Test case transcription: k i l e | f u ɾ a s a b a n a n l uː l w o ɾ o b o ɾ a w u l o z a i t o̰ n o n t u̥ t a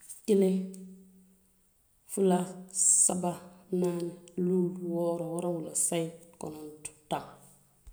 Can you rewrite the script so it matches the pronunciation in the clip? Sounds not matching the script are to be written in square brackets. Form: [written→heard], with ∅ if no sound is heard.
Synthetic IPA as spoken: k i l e | f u [ɾ→l] a s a b a n a n l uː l w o ɾ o [b→w] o ɾ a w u l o [z→s] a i [t→k] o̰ n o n t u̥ t a